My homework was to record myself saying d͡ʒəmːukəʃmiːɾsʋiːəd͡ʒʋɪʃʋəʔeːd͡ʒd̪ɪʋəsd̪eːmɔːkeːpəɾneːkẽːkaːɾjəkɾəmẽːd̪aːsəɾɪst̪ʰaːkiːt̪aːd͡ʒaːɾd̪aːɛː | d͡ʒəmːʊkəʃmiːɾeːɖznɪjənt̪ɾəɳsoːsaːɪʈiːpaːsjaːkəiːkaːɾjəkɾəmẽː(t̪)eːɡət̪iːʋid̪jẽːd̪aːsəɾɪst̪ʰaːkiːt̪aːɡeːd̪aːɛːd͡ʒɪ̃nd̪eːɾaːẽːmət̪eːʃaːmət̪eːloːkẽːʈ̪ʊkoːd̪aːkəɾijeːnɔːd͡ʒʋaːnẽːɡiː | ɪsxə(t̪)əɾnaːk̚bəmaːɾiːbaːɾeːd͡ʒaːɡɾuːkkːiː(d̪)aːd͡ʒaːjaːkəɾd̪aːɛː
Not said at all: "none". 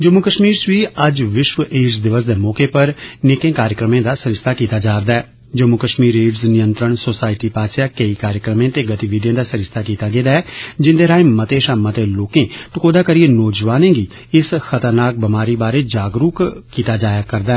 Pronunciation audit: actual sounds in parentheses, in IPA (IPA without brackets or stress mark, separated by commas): t̪, t̪, t̪